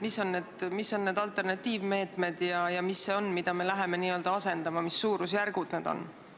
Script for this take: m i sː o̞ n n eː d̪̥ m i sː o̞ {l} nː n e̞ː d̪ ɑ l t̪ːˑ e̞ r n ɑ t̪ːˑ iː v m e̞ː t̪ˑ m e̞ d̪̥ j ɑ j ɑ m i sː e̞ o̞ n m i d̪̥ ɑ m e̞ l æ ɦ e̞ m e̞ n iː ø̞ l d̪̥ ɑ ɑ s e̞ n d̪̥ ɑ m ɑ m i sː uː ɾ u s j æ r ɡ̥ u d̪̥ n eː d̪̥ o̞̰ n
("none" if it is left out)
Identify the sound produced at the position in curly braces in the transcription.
none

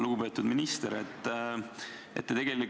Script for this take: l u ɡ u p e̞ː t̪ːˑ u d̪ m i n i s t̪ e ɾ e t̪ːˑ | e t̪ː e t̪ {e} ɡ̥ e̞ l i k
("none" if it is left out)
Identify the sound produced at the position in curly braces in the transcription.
e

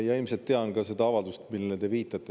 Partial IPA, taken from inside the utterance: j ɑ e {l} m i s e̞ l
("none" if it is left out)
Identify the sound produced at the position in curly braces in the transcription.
l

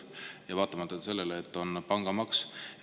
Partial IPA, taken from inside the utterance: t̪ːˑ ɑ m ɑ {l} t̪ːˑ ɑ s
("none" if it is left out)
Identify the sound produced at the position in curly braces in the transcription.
none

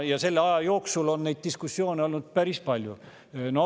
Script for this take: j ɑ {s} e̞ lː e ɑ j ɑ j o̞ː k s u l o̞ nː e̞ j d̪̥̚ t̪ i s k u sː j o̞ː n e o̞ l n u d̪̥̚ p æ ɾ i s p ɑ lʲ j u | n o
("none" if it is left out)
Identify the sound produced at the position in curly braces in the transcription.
s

